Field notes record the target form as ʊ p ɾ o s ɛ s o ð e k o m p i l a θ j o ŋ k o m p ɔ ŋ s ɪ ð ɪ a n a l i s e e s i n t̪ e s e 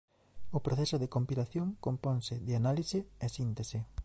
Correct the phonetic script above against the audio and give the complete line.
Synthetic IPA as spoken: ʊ p ɾ o θ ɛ s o ð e k o m p i l a θ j o ŋ k o m p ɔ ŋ s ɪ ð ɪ a n a l i s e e s i n t̪ e s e